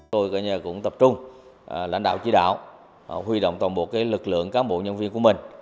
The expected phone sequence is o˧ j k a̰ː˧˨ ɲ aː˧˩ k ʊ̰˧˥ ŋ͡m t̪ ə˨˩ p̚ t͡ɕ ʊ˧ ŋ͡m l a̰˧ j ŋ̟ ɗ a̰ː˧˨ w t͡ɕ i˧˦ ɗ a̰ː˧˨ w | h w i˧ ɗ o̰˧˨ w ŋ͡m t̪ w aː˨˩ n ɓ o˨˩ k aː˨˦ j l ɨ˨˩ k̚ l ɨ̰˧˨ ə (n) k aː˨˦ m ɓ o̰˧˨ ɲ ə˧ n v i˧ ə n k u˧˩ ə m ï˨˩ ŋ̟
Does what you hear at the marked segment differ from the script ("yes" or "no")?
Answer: yes